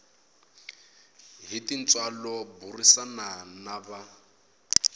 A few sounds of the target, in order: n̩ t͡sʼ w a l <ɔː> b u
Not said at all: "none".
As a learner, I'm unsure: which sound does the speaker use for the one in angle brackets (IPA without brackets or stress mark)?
ɔ